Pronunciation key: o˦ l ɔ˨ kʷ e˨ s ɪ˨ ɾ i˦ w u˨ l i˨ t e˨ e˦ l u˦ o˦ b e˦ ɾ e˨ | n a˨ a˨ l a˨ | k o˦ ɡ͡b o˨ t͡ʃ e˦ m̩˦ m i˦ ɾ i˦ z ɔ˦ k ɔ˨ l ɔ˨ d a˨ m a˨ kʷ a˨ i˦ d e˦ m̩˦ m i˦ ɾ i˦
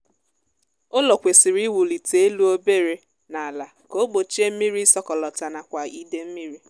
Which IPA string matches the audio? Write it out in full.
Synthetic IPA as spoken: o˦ l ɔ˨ kʷ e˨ s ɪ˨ ɾ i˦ w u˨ l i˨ t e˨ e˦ l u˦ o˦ b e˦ ɾ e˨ | n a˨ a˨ l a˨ | k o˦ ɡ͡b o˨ t͡ʃ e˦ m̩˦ m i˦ ɾ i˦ s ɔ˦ k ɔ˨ l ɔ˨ t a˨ n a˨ kʷ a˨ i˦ d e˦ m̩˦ m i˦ ɾ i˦